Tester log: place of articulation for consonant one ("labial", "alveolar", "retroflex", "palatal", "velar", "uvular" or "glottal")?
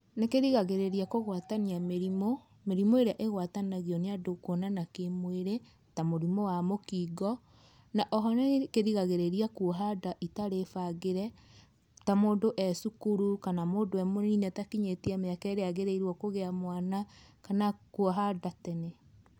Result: alveolar